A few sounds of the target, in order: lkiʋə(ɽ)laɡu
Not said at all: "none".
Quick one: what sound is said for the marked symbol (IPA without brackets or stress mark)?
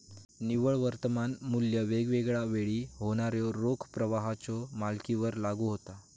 ɾ